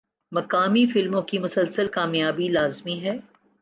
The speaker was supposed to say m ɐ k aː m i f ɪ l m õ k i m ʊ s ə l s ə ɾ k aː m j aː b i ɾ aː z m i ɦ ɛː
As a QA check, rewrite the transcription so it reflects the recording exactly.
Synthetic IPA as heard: m ɐ k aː m i f ɪ l m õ k i m ʊ s ə l s ə l k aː m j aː b i l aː z m i ɦ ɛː